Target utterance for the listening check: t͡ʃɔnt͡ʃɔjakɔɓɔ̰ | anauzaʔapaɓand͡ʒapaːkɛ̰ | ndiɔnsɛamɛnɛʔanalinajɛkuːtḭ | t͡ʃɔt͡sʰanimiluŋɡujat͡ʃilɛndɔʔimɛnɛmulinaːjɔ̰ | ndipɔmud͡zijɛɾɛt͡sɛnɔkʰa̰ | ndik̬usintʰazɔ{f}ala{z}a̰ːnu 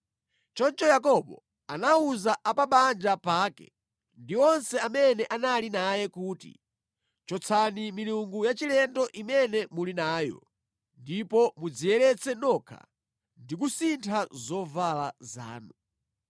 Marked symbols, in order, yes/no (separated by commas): no, yes